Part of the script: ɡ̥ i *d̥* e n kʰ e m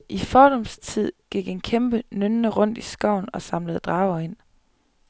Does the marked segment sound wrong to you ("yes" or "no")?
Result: yes